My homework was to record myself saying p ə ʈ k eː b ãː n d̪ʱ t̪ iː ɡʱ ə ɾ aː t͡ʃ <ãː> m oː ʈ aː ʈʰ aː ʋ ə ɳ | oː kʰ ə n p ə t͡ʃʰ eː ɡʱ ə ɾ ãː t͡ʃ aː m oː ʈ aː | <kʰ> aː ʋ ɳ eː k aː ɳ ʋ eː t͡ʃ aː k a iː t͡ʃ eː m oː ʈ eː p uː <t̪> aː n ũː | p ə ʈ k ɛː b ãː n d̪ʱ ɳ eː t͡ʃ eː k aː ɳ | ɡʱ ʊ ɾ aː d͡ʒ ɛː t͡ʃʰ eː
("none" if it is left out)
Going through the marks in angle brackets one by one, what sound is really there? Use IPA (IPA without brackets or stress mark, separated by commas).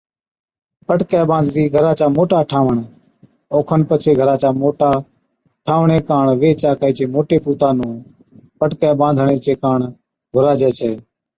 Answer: aː, ʈʰ, t̪